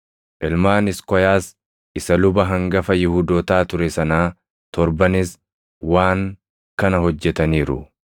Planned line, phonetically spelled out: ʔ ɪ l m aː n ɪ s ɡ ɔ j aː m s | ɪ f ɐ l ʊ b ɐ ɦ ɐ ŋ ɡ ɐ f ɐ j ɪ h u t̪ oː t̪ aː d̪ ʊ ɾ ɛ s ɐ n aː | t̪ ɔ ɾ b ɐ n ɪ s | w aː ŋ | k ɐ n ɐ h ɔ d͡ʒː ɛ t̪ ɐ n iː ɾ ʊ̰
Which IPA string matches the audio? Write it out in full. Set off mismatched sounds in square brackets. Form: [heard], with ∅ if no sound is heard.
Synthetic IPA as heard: ʔ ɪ l m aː n ɪ s [k] ɔ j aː [∅] s | ɪ [s] ɐ l ʊ b ɐ ɦ ɐ ŋ ɡ ɐ f ɐ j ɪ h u [d̪] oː t̪ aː [t̪] ʊ ɾ ɛ s ɐ n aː | t̪ ɔ ɾ b ɐ n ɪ s | w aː ŋ | k ɐ n ɐ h ɔ d͡ʒː ɛ t̪ ɐ n iː ɾ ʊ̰